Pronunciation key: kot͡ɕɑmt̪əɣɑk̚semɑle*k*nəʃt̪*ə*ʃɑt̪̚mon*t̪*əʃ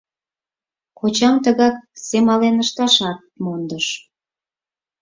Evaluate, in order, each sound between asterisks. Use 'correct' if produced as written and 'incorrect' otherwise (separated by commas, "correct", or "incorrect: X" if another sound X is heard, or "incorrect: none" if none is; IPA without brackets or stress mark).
incorrect: none, incorrect: ɑ, incorrect: d̪